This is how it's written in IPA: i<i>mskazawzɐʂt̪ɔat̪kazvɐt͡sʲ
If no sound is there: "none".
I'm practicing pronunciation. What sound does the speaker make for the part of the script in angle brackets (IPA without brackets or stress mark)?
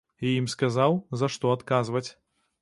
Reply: i